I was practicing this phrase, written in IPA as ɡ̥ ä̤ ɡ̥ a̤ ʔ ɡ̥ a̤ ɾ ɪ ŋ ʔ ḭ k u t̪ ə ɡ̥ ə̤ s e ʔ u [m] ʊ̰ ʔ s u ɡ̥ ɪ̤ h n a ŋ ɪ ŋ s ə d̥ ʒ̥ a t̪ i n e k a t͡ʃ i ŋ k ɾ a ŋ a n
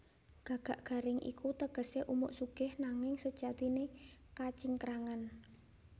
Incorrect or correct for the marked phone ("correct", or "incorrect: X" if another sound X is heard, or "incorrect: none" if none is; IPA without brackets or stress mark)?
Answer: correct